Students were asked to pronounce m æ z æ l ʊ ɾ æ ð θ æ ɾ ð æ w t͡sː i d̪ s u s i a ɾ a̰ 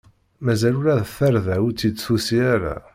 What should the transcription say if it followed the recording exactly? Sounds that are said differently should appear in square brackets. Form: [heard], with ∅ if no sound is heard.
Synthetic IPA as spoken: m æ z æ l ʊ ɾ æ ð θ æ ɾ ð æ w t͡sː i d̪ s u s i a ɾ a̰